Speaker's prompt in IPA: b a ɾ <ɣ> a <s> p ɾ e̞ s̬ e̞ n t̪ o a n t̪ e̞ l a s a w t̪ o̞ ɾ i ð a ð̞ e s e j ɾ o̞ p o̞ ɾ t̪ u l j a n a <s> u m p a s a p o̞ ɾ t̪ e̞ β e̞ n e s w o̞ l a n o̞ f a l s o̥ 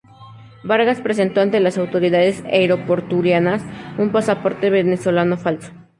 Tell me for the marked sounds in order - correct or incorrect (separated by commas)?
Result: correct, correct, correct